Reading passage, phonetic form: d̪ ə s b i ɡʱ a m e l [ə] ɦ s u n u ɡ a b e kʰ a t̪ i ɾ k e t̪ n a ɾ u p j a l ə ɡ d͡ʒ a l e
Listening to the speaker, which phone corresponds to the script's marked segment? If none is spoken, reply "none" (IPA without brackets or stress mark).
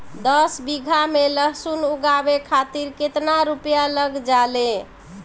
ə